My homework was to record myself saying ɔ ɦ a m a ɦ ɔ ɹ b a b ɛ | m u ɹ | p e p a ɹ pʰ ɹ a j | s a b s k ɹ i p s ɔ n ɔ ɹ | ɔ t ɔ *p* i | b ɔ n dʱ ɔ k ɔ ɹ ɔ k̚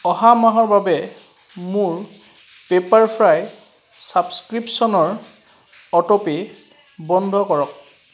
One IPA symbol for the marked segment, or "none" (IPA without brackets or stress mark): p